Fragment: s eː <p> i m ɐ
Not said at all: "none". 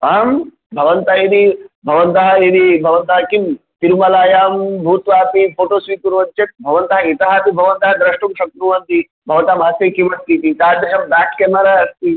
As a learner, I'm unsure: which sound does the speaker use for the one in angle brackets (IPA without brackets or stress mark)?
k